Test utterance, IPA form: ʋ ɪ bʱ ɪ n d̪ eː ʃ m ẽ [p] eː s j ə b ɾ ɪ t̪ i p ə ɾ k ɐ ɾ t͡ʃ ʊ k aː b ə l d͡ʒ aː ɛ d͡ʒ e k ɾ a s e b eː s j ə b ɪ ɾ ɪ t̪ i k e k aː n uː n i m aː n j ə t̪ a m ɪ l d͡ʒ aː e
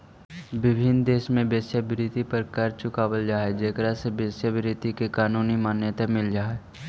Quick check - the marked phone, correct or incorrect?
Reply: incorrect